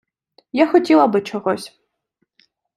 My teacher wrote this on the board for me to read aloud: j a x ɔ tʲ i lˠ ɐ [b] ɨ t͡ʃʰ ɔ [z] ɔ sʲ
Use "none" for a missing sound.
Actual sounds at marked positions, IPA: b, ɣ

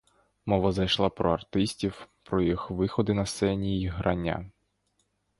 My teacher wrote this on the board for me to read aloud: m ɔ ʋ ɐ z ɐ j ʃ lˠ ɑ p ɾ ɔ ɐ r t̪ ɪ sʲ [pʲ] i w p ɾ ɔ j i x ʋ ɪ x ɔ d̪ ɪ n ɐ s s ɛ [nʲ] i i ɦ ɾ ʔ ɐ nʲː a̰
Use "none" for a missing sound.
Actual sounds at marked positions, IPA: tʲ, nʲ

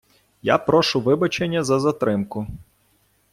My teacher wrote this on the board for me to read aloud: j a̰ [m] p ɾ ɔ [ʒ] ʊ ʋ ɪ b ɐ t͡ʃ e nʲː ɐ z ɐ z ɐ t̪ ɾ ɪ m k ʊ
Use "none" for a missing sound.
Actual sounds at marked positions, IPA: none, ʃ

